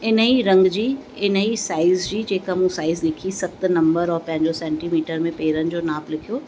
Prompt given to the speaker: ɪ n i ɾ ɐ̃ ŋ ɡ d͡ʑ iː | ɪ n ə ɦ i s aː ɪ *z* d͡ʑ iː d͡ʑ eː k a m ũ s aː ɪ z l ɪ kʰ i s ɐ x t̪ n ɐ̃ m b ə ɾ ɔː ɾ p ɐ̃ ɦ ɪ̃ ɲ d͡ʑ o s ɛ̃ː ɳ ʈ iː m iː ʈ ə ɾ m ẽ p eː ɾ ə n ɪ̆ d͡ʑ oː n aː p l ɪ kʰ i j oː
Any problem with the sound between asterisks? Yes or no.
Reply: no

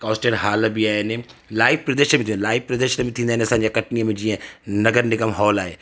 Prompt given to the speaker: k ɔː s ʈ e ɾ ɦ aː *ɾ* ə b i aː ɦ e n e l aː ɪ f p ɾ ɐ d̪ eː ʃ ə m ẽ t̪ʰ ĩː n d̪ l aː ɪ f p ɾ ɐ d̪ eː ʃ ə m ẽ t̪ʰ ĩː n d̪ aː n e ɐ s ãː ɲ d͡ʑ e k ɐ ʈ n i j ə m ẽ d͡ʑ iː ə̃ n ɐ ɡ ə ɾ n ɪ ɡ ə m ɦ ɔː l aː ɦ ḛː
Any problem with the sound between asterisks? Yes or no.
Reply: yes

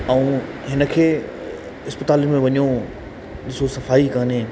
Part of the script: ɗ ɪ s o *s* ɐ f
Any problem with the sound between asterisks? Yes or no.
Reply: no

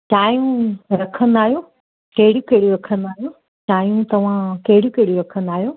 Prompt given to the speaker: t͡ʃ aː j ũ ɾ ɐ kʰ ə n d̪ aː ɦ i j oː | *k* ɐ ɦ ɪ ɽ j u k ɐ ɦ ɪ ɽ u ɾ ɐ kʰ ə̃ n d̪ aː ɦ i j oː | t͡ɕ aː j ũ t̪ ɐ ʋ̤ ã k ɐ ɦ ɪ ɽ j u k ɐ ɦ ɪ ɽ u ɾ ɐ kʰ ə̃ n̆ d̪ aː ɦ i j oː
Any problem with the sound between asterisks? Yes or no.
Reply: no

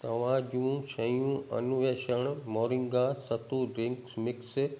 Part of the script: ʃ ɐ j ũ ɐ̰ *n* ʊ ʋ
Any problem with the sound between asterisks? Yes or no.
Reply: no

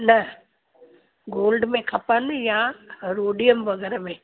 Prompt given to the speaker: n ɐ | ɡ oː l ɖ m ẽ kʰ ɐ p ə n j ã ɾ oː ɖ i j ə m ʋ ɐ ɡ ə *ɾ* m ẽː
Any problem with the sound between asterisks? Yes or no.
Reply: no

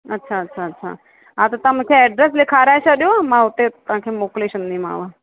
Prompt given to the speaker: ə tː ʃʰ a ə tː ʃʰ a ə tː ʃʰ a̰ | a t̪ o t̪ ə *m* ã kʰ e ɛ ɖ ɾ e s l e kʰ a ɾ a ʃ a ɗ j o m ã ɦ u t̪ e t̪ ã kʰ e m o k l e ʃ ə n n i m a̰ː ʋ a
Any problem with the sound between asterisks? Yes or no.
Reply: no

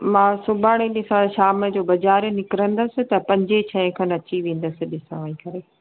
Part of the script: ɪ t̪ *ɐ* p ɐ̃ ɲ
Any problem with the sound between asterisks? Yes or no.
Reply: no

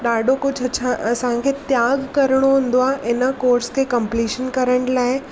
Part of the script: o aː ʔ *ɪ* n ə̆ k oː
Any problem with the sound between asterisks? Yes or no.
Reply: no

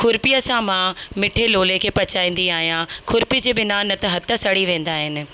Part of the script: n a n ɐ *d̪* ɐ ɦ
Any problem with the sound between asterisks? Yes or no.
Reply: yes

